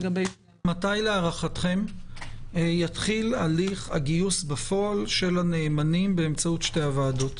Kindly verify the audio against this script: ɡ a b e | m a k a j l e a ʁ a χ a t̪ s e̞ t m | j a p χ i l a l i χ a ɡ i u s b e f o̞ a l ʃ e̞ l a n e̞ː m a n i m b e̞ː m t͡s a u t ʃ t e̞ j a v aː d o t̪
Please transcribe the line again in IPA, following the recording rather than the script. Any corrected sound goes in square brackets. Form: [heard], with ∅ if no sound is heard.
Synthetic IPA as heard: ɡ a b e | m a [t] a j l e a ʁ a χ a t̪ [χ] e̞ [∅] m | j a [t] χ i l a l i χ a ɡ i u s b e f o̞ a l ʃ e̞ l a n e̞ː m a n i m b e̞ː m t͡s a u t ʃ t e̞ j a v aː d o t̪